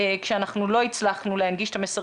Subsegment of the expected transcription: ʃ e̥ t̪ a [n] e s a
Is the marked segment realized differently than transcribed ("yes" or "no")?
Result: yes